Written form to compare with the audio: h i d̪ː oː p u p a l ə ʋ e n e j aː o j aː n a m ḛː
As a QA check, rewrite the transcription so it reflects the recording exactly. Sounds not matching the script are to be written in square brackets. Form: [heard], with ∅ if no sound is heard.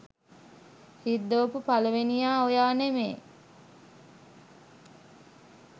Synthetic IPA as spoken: h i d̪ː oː p u p a l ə ʋ e n [i] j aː o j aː n [e] m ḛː